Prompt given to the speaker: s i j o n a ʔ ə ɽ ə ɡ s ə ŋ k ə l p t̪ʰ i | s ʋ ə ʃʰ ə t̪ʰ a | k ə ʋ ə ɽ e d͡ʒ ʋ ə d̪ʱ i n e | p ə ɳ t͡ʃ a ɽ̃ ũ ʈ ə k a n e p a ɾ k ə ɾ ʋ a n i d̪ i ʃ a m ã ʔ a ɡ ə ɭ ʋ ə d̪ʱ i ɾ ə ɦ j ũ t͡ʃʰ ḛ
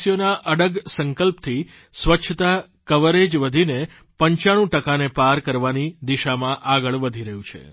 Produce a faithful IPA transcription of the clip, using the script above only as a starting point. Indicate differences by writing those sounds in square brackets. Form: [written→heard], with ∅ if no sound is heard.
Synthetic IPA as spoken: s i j o n a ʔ ə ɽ ə ɡ s ə ŋ k ə l p t̪ʰ i | s ʋ ə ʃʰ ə [t̪ʰ→t̪] a | k ə ʋ ə [ɽ→ɾ] e d͡ʒ ʋ ə d̪ʱ i n e | p ə [ɳ→ɲ] t͡ʃ a ɽ̃ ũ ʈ ə k a n e p a ɾ k ə ɾ ʋ a n i d̪ i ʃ a m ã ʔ a ɡ ə ɭ ʋ ə d̪ʱ i ɾ ə ɦ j ũ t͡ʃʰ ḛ